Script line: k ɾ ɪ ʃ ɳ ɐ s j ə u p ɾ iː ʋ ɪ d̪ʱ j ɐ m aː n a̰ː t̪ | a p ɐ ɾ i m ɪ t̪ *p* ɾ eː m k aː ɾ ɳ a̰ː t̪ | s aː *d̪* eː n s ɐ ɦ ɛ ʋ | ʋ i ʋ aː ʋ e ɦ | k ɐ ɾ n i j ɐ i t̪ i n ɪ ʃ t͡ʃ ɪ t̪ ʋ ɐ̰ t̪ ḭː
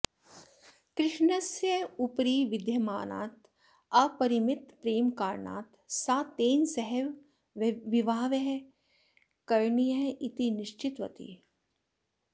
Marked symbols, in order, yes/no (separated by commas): yes, no